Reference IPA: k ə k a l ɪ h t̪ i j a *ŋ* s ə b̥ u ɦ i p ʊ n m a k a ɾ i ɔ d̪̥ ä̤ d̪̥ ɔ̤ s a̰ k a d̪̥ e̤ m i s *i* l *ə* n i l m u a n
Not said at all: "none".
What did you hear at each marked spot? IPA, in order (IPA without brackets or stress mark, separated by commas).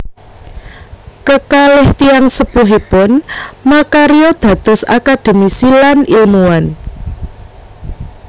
ŋ, i, a